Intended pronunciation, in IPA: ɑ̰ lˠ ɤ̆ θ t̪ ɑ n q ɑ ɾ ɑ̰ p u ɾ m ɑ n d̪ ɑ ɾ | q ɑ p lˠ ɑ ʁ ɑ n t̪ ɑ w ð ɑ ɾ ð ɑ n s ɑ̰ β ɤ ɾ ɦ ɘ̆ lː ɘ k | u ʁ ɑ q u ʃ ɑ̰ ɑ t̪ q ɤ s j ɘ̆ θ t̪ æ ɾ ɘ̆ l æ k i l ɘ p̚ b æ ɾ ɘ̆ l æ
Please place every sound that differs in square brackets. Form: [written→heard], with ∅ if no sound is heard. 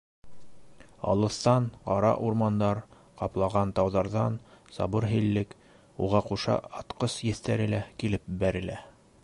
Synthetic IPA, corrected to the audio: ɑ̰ lˠ ɤ̆ θ t̪ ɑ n q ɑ ɾ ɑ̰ [p→ʔ] u ɾ m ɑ n d̪ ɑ ɾ | q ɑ p lˠ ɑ ʁ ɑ n t̪ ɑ w ð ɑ ɾ ð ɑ n s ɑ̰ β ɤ ɾ ɦ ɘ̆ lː ɘ k | u ʁ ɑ q u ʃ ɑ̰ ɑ t̪ q ɤ s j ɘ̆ θ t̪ æ ɾ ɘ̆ l æ k i l ɘ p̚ b æ ɾ ɘ̆ l æ